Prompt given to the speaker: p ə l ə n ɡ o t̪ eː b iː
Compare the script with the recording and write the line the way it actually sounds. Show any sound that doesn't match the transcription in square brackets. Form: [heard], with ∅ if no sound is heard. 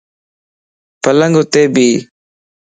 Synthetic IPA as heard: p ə l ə [ŋ] ɡ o t̪ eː b iː